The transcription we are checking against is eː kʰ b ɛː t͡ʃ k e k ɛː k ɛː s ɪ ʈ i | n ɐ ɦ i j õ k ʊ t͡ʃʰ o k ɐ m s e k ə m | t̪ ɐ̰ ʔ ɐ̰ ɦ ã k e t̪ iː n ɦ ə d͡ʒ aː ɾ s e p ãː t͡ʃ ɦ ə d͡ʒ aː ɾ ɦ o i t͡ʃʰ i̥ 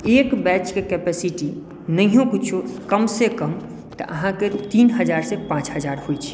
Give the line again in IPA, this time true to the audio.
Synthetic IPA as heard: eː k b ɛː t͡ʃ k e k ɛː p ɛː s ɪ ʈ i | n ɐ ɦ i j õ k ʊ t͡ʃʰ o k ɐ m s e k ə m | t̪ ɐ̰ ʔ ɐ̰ ɦ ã k e t̪ iː n ɦ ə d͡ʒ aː ɾ s e p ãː t͡ʃ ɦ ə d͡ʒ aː ɾ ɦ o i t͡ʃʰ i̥

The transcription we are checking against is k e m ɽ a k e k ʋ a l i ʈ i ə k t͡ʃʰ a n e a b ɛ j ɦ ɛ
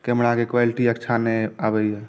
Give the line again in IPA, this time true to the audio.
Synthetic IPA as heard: k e m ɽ a k e k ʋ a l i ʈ i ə k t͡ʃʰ a n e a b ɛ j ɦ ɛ

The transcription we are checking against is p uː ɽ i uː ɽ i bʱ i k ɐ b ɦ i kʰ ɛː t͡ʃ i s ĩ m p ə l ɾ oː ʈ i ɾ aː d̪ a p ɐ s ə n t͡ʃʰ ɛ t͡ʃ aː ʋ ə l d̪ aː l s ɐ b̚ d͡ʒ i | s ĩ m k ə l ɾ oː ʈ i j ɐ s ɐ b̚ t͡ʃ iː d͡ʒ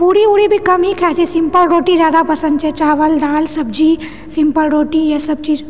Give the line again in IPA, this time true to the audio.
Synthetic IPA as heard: p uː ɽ i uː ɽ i bʱ i k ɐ m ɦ i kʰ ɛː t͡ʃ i s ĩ m p ə l ɾ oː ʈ i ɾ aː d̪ a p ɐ s ə n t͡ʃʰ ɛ t͡ʃ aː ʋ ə l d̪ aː l s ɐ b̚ d͡ʒ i | s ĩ m p ə l ɾ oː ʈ i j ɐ s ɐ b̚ t͡ʃ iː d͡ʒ

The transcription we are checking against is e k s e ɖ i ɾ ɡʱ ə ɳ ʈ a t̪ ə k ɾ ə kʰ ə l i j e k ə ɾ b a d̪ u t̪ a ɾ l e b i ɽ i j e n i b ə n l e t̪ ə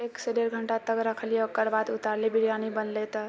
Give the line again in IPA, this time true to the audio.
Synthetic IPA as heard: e k s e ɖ e ɾ ɡʱ ə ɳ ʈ a t̪ ə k ɾ ə kʰ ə l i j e k ə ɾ b a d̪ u t̪ a ɾ l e b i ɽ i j a n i b ə n l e t̪ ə

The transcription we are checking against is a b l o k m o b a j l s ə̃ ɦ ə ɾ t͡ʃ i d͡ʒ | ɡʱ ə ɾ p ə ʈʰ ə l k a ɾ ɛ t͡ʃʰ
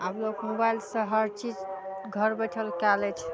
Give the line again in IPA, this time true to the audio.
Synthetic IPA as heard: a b l o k m o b a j l s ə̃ ɦ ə ɾ t͡ʃ i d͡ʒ | ɡʱ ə ɾ b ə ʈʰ ə l k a l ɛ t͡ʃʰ

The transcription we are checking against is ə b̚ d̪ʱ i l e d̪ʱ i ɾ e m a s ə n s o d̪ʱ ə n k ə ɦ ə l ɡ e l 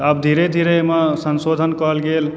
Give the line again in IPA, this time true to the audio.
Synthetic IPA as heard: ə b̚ d̪ʱ i ɾ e d̪ʱ i ɾ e m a s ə n s o d̪ʱ ə n k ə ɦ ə l ɡ e l

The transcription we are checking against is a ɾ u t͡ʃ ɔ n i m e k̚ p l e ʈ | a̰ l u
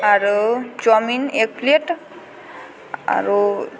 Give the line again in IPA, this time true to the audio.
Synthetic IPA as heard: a ɾ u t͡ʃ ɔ m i n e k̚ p l e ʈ | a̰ ɾ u

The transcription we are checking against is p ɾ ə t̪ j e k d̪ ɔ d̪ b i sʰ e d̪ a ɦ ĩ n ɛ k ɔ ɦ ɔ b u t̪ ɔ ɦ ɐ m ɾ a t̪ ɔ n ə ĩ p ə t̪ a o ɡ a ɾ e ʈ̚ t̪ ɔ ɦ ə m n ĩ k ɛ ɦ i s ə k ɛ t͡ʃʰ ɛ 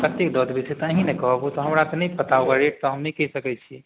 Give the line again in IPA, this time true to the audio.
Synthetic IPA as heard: p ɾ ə t̪ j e k d̪ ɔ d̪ b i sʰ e t̪ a ɦ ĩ n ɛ k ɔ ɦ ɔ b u t̪ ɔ ɦ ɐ m ɾ a t̪ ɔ n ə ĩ p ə t̪ a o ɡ a ɾ e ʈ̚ t̪ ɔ ɦ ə m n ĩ k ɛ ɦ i s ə k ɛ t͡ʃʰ i

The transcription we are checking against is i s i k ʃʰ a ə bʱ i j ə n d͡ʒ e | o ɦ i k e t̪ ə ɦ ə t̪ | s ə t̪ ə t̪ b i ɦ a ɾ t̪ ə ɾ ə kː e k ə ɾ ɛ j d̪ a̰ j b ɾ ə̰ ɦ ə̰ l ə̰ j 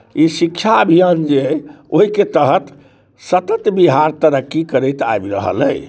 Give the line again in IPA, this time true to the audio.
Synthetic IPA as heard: i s i k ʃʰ a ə bʱ i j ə n d͡ʒ e | o ɦ i k e t̪ ə ɦ ə t̪ | s ə t̪ ə t̪ b i ɦ a ɾ t̪ ə ɾ ə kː i k ə ɾ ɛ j t̪ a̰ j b ɾ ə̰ ɦ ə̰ l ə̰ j

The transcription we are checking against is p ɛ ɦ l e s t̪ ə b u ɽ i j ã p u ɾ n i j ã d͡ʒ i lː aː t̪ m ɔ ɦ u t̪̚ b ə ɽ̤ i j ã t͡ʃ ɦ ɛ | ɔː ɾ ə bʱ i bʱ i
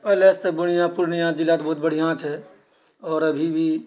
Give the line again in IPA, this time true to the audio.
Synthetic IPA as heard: p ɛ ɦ l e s t̪ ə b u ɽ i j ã p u ɾ n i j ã d͡ʒ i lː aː t̪ b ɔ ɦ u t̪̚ b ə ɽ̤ i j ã t͡ʃ ɦ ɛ | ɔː ɾ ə bʱ i bʱ i

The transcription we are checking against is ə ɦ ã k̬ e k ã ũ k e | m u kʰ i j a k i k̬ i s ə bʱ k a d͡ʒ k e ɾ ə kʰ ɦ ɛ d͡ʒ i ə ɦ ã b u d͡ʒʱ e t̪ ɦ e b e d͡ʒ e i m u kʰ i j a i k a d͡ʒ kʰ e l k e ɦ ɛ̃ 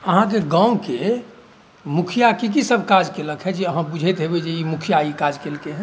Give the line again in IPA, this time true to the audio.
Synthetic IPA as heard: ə ɦ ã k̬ e ɡ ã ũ k e | m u kʰ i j a k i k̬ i s ə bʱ k a d͡ʒ k e l ə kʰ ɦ ɛ d͡ʒ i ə ɦ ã b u d͡ʒʱ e t̪ ɦ e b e d͡ʒ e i m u kʰ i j a i k a d͡ʒ k e l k e ɦ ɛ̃

